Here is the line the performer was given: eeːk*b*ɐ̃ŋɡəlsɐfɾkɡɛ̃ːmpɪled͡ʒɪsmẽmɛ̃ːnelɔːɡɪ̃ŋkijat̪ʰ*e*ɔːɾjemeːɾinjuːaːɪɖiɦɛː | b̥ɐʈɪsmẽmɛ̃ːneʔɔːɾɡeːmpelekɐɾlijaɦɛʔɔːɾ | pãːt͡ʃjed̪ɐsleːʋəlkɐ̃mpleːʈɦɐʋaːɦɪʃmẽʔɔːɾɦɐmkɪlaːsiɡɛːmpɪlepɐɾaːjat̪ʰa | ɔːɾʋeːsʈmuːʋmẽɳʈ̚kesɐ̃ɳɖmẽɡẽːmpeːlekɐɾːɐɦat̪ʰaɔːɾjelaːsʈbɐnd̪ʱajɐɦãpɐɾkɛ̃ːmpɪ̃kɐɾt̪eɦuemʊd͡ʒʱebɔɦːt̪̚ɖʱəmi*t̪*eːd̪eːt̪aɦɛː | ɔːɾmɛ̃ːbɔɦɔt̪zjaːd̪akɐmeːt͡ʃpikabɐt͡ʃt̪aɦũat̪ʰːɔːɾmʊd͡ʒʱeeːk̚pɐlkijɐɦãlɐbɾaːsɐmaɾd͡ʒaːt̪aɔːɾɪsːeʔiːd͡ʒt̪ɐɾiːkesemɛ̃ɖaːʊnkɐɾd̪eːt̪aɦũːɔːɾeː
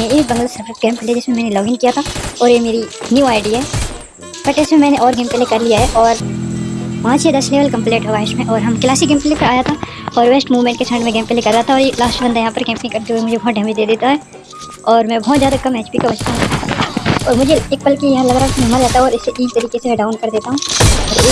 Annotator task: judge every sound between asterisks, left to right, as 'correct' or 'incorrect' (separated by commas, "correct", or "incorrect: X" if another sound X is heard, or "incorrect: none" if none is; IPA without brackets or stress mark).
correct, incorrect: a, incorrect: d̪